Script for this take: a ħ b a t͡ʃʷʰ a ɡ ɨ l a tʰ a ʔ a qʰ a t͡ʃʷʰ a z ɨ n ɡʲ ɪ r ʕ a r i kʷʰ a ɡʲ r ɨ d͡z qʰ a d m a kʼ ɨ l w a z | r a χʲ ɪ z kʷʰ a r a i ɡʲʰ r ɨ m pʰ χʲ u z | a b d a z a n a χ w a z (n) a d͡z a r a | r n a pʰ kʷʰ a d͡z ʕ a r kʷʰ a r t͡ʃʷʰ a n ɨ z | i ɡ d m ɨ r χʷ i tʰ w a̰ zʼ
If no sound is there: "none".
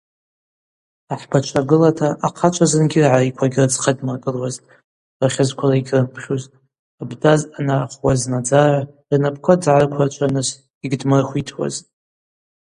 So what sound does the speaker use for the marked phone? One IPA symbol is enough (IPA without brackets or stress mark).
n